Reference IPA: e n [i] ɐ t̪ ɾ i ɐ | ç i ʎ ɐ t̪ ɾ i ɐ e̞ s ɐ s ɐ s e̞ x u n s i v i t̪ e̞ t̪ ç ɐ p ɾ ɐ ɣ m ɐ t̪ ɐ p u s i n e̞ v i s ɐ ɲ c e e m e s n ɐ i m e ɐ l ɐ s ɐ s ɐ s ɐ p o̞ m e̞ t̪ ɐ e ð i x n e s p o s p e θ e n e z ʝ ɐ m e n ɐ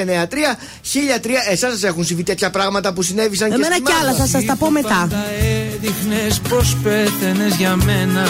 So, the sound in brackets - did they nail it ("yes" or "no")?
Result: no